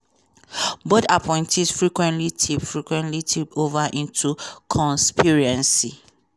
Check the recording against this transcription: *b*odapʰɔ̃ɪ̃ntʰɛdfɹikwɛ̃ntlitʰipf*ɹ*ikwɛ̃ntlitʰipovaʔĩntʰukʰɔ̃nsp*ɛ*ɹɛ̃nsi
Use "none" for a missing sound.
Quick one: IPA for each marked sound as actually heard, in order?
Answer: b, ɹ, i

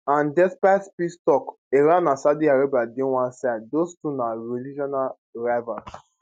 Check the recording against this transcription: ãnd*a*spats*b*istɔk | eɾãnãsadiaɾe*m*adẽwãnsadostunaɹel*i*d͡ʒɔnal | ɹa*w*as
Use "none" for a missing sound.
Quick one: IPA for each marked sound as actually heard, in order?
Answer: ɛ, p, b, i, v

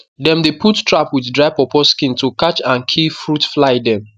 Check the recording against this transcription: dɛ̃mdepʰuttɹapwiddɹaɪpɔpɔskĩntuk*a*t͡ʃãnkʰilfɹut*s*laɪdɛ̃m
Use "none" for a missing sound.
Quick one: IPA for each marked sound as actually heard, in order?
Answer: a, f

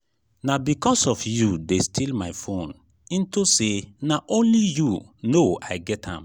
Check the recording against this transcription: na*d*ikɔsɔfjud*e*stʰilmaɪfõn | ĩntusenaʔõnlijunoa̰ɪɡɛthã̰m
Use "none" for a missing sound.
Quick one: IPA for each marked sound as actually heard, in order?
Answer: b, e

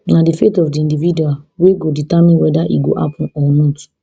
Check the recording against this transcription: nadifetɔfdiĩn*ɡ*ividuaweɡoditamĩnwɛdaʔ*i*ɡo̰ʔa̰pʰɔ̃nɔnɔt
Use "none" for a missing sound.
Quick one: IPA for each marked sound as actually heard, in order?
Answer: d, i

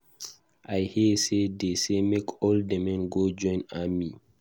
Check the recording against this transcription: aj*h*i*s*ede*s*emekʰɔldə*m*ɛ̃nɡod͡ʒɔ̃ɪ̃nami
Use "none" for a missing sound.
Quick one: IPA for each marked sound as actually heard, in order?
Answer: h, s, s, m

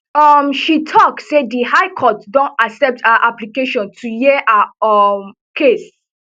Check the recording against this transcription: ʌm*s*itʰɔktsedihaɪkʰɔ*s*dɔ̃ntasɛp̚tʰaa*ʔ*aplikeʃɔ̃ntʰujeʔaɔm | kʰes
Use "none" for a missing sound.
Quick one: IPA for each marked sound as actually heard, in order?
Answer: ʃ, t, ʔ

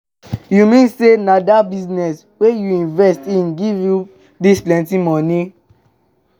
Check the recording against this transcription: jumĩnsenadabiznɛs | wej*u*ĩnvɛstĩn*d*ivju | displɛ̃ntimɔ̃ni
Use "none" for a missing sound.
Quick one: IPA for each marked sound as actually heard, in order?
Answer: u, ɡ

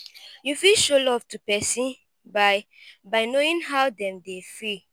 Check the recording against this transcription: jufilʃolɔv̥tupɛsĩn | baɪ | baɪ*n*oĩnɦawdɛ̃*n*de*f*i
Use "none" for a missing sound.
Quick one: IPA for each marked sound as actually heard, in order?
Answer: n, m, f

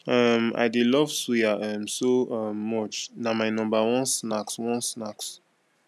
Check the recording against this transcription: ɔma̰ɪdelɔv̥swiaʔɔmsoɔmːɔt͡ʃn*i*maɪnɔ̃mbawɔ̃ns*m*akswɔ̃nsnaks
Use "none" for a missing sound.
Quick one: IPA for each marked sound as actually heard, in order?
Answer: a, n

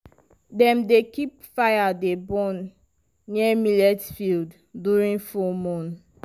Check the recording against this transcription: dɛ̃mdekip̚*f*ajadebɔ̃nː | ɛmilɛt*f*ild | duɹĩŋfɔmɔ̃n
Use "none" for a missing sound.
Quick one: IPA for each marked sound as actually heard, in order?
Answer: f, f

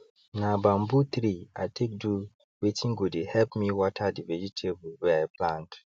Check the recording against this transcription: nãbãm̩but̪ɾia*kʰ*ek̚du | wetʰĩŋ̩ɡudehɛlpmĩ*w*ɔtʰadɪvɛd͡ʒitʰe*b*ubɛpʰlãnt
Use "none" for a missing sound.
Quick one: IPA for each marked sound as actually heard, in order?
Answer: tʰ, w, b

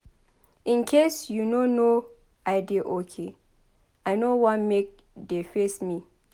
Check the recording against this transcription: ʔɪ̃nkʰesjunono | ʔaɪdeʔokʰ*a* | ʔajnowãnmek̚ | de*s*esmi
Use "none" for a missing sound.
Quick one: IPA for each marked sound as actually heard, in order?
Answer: e, f

